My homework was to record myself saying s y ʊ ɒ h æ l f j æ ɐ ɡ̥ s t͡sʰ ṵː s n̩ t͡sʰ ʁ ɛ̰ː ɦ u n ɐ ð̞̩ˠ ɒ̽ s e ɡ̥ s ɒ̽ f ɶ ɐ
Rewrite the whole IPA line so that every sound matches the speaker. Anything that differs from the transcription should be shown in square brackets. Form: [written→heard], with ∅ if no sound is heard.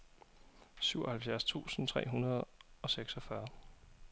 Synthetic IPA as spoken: s y ʊ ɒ h æ l f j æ ɐ [ɡ̥→∅] s t͡sʰ ṵː s n̩ t͡sʰ ʁ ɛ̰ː ɦ u n ɐ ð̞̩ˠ ɒ̽ s e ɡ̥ s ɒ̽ f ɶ ɐ